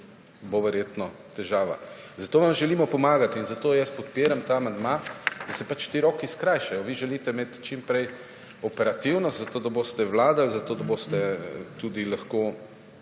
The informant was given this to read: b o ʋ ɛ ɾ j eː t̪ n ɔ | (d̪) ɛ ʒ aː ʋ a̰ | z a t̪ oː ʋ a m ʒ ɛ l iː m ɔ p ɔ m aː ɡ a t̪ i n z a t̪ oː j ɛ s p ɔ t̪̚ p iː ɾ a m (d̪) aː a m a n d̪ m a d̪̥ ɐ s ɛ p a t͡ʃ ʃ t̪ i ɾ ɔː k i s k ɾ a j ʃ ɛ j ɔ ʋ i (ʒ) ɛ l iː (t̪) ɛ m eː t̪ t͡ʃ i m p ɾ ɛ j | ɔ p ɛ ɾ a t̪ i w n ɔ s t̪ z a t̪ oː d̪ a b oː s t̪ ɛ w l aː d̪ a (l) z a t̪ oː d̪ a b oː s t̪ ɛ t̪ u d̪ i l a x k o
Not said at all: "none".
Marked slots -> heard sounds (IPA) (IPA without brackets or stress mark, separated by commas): t̪, t̪, ʒ, t̪, l